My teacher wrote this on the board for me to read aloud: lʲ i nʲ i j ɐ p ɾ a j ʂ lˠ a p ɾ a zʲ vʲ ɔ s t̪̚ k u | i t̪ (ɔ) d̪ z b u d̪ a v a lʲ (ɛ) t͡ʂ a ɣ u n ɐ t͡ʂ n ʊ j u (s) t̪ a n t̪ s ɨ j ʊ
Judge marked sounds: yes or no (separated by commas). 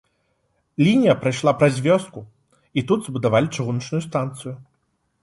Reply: no, no, yes